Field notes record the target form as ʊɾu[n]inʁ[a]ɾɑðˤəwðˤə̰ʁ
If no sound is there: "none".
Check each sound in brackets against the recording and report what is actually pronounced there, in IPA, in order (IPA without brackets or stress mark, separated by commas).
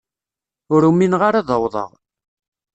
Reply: m, a